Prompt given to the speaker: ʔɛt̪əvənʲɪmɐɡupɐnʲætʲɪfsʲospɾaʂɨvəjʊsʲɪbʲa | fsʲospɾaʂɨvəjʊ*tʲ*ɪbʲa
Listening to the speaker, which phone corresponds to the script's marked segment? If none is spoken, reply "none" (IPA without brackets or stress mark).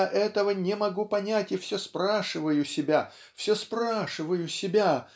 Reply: sʲ